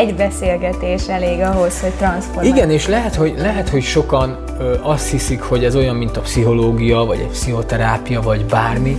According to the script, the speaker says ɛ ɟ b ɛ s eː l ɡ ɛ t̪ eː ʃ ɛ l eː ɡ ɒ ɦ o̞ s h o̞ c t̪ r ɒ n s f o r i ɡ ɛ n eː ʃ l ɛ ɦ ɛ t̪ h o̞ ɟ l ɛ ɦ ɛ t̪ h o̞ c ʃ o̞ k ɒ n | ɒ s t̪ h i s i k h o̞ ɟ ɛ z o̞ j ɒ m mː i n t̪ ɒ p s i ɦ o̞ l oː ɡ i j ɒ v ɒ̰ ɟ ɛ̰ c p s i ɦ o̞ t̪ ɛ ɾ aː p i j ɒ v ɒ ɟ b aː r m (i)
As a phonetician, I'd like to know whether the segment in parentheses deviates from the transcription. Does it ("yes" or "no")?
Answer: no